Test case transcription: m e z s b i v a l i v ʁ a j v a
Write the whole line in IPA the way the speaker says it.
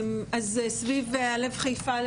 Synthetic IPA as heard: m a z s v i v a l e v χ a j f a